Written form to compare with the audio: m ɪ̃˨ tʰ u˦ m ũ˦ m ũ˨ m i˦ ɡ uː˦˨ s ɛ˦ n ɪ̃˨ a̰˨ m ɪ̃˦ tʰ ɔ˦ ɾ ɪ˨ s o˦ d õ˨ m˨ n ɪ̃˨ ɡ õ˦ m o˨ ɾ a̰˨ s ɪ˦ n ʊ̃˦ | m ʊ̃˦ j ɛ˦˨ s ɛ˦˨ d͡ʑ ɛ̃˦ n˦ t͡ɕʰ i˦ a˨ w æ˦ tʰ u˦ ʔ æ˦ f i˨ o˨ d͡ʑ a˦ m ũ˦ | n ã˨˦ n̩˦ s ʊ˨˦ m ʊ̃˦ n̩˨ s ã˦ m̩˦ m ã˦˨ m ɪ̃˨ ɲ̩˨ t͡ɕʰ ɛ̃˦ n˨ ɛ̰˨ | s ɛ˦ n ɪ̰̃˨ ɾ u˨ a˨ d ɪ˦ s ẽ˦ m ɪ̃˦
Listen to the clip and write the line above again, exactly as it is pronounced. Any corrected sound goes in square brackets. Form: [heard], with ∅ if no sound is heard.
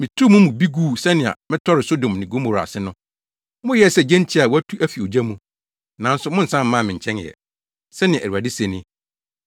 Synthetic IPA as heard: m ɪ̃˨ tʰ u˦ m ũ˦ m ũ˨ [b] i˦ ɡ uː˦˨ s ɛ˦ n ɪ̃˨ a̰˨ m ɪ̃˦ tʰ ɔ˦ ɾ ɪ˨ s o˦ d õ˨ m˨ n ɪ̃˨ ɡ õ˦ m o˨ ɾ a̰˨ s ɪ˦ n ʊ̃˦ | m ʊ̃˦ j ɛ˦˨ s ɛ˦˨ d͡ʑ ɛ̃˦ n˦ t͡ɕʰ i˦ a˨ w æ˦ tʰ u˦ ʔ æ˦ f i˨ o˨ d͡ʑ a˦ m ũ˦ | n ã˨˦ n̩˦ s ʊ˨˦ m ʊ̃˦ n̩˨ s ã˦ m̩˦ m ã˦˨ m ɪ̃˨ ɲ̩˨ t͡ɕʰ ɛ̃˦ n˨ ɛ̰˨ | s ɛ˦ n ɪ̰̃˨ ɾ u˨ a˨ d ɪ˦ s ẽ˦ [n] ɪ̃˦